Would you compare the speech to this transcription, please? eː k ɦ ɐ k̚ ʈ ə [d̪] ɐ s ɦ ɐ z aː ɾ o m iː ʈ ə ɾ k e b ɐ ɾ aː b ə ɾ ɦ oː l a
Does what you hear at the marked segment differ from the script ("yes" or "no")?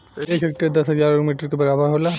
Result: no